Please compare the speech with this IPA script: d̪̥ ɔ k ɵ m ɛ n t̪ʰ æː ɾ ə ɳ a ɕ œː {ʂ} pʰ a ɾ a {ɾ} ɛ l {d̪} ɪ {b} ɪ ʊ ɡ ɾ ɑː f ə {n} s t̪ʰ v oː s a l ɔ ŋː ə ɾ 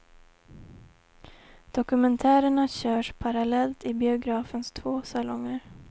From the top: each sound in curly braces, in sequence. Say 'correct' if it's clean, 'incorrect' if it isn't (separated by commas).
correct, incorrect, incorrect, correct, correct